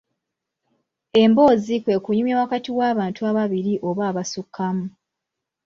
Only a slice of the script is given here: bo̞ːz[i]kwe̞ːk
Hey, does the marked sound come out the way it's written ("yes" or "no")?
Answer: yes